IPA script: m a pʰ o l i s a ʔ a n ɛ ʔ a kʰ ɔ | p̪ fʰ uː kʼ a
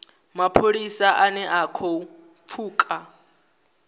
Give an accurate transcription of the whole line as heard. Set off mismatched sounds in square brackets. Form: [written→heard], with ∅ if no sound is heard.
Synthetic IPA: m a pʰ o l i s a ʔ a n ɛ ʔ a kʰ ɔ | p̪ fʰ uː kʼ a